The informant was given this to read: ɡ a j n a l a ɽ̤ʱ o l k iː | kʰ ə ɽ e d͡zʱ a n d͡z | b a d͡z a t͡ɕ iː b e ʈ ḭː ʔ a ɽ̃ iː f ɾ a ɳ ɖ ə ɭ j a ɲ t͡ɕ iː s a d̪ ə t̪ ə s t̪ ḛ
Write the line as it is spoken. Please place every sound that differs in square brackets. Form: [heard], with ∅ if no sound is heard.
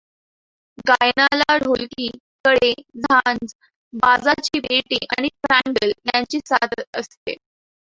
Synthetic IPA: ɡ a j n a l a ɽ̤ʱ o l k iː | [k] ə ɽ e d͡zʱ a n d͡z | b a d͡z a t͡ɕ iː b e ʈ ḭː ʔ a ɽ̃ [i] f ɾ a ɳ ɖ ə [l] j a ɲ t͡ɕ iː s a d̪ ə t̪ ə s t̪ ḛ